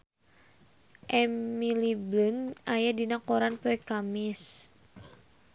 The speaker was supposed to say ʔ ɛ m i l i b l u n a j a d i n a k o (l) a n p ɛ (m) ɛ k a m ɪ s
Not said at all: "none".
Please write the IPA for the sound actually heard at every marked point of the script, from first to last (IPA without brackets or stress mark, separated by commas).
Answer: ɾ, none